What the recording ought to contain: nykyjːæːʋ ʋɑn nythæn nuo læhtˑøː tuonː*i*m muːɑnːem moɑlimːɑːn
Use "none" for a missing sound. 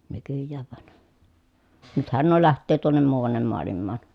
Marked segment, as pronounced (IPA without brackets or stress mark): e